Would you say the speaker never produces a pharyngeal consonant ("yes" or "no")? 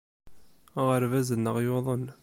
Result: yes